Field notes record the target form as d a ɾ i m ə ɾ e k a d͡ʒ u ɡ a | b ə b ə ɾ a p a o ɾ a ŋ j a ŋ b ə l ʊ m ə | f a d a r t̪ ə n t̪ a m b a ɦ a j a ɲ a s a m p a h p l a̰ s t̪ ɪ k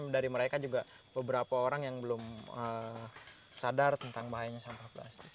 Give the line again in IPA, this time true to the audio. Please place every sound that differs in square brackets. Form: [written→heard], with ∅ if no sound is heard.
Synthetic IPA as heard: d a ɾ i m ə ɾ e k a d͡ʒ u ɡ a | b ə b ə ɾ a p a o ɾ a ŋ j a ŋ b ə l ʊ m ə | [f→s] a d a r t̪ ə n t̪ a [m→ŋ] b a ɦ a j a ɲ a s a m p a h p l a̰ s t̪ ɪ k